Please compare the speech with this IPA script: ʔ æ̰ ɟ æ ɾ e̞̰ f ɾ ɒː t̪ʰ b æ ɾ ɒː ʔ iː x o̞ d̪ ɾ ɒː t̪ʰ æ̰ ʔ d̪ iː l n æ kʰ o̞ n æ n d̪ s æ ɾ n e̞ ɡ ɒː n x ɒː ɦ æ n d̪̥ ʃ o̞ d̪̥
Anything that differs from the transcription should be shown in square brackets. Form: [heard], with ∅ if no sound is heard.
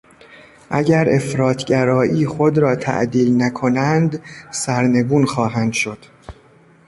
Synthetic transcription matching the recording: ʔ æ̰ ɟ æ ɾ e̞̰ f ɾ ɒː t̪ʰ [ɟ] æ ɾ ɒː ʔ iː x o̞ d̪ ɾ ɒː t̪ʰ æ̰ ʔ d̪ iː l n æ kʰ o̞ n æ n d̪ s æ ɾ n e̞ ɡ [uː] n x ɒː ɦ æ n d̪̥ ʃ o̞ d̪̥